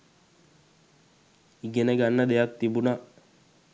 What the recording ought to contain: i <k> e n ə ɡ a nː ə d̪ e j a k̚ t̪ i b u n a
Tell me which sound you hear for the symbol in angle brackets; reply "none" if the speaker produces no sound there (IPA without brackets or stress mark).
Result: ɡ